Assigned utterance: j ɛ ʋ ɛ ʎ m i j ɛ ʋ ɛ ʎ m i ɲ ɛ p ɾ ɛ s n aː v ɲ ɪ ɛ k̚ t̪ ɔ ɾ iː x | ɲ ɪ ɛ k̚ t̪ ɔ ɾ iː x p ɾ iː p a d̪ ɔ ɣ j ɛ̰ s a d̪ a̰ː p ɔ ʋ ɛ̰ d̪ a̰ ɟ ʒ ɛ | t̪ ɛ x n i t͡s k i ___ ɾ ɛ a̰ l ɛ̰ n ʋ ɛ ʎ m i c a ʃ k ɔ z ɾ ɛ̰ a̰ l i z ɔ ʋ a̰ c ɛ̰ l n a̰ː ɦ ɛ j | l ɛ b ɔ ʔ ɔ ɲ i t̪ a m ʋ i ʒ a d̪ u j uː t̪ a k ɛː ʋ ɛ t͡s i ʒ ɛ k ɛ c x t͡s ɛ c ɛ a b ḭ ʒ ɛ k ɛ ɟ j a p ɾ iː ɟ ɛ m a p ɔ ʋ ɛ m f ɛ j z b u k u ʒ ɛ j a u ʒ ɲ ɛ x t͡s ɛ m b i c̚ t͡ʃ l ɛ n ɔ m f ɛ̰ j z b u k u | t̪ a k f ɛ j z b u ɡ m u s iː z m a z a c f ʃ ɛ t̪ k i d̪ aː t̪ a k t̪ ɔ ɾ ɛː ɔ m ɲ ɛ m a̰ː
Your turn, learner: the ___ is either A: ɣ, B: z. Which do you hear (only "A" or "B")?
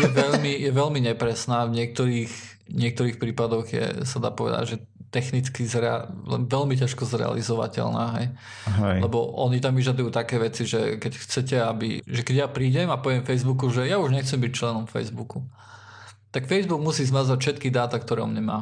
B